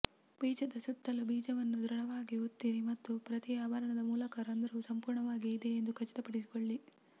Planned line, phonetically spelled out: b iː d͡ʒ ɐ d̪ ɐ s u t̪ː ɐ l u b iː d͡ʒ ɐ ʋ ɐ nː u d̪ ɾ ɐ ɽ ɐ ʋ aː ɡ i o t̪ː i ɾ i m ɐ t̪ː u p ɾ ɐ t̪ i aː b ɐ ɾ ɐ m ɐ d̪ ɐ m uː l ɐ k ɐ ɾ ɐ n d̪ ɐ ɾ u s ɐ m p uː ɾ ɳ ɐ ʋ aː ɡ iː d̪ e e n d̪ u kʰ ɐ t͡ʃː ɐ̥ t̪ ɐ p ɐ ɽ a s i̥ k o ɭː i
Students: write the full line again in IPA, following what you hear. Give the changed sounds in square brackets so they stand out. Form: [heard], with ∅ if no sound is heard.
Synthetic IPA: b iː d͡ʒ ɐ d̪ ɐ s u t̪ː ɐ l u b iː d͡ʒ ɐ ʋ ɐ nː u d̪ ɾ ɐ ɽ ɐ ʋ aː ɡ i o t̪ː i ɾ i m ɐ t̪ː u p ɾ ɐ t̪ i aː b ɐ ɾ ɐ [ɳ] ɐ d̪ ɐ m uː l ɐ k ɐ ɾ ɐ n d̪ ɐ ɾ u s ɐ m p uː ɾ ɳ ɐ ʋ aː ɡ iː d̪ e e n d̪ u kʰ ɐ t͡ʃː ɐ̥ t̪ ɐ p ɐ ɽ [i] s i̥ k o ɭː i